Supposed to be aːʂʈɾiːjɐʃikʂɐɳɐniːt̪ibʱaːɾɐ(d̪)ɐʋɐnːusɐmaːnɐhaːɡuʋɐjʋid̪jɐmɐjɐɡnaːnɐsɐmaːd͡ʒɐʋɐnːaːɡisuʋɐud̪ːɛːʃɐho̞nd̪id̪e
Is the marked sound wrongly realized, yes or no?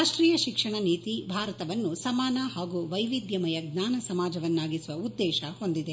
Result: yes